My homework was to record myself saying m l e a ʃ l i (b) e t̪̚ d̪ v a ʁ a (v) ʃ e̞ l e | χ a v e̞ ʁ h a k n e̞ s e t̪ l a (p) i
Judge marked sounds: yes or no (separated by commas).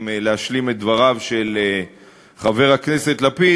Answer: no, yes, yes